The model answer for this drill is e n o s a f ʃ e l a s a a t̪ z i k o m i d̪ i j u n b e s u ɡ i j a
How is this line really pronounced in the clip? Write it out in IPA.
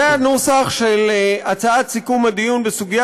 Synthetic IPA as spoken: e n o s a χ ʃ e l a t͡s a a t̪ s i k u m a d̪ i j u n b e s u ɡ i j a